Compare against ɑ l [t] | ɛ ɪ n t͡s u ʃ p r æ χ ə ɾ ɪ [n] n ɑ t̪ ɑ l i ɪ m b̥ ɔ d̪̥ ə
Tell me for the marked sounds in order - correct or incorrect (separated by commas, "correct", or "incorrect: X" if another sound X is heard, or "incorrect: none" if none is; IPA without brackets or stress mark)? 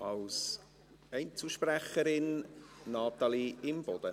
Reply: incorrect: s, correct